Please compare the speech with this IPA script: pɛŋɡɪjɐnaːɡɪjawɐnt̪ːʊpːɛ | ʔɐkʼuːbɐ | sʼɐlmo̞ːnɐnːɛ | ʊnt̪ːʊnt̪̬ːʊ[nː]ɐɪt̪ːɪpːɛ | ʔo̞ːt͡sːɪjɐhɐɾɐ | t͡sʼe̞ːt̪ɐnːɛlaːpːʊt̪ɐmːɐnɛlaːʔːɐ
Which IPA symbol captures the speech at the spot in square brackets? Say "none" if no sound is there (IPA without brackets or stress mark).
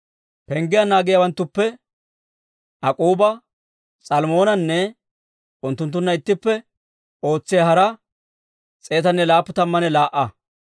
nː